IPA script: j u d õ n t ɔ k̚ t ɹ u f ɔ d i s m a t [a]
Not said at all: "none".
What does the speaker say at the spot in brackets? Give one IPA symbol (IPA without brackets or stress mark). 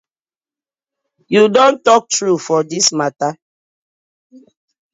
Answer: a